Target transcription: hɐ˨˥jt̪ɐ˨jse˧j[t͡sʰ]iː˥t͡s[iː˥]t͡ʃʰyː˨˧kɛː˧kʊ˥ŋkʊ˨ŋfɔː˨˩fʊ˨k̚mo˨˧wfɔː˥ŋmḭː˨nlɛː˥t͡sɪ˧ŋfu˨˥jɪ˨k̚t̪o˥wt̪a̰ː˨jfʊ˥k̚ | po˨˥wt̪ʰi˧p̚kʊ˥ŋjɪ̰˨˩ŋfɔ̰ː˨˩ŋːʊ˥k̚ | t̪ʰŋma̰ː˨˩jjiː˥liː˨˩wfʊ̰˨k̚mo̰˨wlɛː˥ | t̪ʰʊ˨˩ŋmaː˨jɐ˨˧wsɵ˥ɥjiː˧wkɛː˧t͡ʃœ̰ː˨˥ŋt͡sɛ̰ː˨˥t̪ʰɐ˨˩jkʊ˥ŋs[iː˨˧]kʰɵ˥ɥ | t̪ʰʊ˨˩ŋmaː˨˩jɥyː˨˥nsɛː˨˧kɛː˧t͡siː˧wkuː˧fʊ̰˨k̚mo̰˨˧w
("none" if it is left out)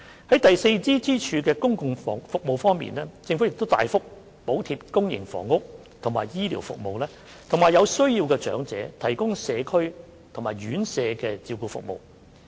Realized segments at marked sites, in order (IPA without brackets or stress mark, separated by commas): t͡s, iː˥, ɛː˨˧